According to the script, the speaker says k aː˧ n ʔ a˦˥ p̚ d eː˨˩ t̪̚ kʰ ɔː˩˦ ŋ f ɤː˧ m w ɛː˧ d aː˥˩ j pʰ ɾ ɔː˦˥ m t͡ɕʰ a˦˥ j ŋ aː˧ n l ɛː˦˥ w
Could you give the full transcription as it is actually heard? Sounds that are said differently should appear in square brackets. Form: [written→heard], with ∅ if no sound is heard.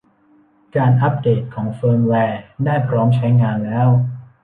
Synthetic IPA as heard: k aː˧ n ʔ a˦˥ p̚ d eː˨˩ t̪̚ kʰ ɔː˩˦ ŋ f ɤː˧ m w ɛː˧ d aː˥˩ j pʰ ɾ ɔː˦˥ m t͡ɕʰ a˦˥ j ŋ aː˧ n l ɛː˦˥ w